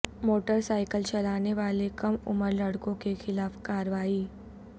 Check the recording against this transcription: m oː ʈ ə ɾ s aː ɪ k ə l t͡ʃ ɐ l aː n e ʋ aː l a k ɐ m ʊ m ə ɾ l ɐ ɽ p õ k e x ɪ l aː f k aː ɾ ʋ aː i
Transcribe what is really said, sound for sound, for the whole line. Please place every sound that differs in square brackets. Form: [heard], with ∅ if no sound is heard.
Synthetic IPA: m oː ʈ ə ɾ s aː ɪ k ə l t͡ʃ ɐ l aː n e ʋ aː l [e] k ɐ m ʊ m ə ɾ l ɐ ɽ [k] õ k e x ɪ l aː f k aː ɾ ʋ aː i